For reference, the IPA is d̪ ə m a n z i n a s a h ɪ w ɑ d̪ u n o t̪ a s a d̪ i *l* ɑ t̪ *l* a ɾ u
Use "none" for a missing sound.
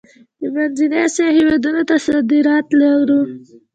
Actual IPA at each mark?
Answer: ɾ, l

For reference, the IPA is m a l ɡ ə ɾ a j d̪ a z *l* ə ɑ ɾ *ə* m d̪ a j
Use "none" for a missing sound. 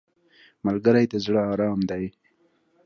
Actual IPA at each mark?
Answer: ɽ, ɑ

